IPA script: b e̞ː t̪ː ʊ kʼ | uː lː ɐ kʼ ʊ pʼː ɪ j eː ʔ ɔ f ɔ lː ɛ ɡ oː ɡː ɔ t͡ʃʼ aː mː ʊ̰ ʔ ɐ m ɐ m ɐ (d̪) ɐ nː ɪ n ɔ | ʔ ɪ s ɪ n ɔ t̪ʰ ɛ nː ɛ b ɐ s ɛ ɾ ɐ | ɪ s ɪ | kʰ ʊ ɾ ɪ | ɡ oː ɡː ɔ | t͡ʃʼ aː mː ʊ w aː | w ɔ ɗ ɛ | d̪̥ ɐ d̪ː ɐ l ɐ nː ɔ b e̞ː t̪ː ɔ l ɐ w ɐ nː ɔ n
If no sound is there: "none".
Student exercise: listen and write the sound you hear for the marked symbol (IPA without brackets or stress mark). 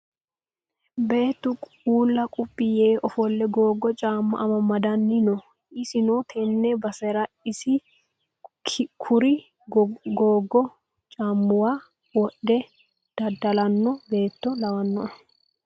d̪